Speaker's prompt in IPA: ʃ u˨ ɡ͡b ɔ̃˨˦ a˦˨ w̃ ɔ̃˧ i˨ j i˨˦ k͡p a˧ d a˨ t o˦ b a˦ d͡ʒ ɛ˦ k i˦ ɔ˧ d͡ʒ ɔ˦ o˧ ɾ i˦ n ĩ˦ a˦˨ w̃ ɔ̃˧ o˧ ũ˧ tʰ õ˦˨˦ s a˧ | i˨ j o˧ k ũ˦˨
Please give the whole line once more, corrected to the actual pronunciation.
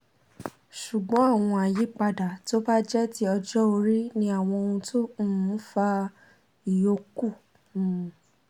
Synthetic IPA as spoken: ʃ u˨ ɡ͡b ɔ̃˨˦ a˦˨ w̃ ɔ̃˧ a˨ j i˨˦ k͡p a˧ d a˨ t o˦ b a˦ d͡ʒ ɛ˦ t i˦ ɔ˧ d͡ʒ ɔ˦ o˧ ɾ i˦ n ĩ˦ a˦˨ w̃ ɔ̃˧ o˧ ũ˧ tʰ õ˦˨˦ f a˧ | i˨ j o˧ k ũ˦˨